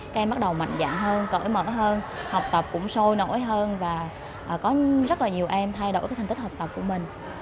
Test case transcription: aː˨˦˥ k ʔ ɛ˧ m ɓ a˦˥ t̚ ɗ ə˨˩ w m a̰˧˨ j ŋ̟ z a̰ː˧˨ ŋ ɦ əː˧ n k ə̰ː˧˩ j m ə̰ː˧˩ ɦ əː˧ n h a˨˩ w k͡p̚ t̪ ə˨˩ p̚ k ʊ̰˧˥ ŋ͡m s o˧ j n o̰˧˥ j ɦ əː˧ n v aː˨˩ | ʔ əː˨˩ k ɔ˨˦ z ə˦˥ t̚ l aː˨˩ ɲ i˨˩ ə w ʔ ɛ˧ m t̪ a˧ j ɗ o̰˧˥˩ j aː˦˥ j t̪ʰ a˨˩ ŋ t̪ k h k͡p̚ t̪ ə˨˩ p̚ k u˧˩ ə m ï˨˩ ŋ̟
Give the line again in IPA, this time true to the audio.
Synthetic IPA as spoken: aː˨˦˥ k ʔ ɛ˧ m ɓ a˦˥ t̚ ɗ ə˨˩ w m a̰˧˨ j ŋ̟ z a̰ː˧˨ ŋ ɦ əː˧ n k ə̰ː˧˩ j m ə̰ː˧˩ ɦ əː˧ n h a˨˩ w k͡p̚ t̪ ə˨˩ p̚ k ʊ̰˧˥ ŋ͡m s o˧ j n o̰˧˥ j ɦ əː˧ n v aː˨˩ | ʔ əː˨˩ k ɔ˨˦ z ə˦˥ t̚ l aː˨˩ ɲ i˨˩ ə w ʔ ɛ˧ m t̪ʰ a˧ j ɗ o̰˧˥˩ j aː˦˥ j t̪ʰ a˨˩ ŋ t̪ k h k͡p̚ t̪ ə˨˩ p̚ k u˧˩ ə m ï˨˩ ŋ̟